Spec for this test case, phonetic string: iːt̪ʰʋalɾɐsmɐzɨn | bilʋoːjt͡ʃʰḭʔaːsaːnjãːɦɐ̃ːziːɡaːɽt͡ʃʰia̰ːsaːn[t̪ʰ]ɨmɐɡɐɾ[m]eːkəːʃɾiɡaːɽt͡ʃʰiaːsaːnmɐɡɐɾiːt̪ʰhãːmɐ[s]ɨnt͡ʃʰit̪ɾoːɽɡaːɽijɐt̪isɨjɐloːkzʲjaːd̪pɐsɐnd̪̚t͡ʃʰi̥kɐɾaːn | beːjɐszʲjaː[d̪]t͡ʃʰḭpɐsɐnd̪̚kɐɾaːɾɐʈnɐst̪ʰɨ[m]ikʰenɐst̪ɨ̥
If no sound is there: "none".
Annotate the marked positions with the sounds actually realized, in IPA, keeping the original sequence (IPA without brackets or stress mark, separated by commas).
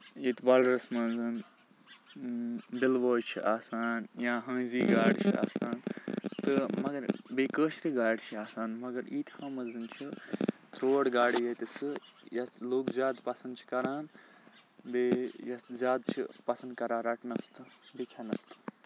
t̪, b, z, d̪, b